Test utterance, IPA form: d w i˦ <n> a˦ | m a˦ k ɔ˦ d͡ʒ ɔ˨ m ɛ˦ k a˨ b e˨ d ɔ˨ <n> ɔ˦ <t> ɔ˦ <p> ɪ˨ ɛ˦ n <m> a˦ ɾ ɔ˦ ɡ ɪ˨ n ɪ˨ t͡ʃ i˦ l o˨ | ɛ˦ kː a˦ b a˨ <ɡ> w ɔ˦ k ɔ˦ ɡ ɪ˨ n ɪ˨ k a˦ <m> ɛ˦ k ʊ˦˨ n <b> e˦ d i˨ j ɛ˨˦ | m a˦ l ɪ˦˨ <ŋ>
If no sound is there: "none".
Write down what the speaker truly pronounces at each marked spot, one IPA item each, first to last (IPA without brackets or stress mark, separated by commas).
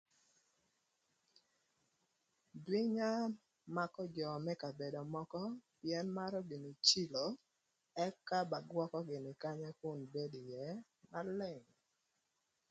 ɲ, m, k, p, m, ɡ, ɲ, b, ŋ